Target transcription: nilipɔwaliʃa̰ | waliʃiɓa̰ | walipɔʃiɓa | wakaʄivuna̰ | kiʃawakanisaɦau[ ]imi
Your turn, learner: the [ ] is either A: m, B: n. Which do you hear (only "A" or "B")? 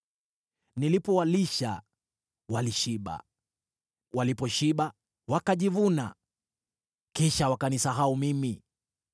A